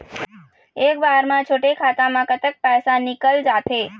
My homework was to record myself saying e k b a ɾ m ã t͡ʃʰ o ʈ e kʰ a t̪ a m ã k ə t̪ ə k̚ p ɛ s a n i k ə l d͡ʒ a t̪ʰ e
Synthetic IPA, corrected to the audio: e k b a ɾ m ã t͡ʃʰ o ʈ e kʰ a t̪ a m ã k ə t̪ ə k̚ p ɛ s a n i k ə l d͡ʒ a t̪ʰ e